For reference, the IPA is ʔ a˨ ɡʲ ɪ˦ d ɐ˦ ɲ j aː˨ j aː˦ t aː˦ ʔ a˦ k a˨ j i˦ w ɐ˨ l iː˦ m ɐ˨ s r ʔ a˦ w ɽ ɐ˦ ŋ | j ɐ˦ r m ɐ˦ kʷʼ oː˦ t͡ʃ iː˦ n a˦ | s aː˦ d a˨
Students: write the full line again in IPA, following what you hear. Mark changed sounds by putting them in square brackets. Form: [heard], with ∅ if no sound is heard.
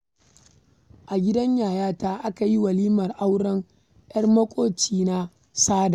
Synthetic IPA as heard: ʔ a˨ ɡʲ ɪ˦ d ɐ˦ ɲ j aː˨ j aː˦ t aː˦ ʔ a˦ k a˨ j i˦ w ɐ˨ l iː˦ m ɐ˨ [∅] r ʔ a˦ w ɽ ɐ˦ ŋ | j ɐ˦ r m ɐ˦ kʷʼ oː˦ t͡ʃ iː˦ n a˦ | s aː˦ d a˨